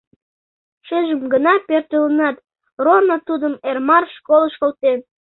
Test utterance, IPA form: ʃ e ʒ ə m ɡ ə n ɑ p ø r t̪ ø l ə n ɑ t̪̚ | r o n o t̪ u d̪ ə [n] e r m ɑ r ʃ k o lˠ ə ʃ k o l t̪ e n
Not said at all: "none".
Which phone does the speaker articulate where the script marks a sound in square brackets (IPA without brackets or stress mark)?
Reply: m